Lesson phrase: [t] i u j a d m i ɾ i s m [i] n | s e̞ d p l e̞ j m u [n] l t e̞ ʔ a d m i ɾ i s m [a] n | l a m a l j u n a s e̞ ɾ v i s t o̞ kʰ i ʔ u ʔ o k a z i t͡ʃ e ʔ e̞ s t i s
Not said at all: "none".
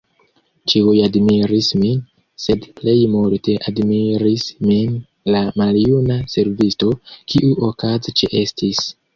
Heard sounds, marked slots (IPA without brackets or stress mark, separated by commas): t͡ʃ, i, none, i